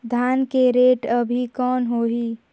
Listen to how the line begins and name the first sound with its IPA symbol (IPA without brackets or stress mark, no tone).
d̪ʱ